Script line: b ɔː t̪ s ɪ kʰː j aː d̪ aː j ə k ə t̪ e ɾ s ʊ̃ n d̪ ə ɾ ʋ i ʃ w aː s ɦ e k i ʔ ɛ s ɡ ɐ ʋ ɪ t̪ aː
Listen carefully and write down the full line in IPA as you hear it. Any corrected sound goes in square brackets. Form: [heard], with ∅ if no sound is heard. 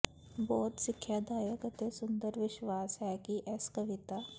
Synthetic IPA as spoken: b ɔː t̪ s ɪ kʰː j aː d̪ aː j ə k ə t̪ e [∅] s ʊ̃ n d̪ ə ɾ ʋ [ɪ] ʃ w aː s ɦ [ɛ] k i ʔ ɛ s [k] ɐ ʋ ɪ t̪ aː